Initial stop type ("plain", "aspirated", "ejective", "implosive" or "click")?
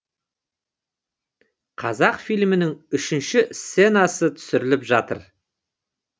aspirated